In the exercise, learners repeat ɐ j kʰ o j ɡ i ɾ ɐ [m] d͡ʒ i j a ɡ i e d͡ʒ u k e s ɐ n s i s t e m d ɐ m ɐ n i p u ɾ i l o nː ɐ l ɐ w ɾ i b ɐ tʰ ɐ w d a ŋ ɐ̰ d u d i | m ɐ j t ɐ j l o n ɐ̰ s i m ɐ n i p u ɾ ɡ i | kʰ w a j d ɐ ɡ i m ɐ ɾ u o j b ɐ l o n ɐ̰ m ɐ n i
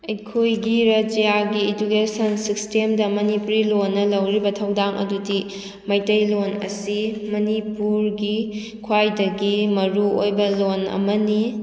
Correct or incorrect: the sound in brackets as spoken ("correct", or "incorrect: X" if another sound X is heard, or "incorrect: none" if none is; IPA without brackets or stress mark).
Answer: incorrect: none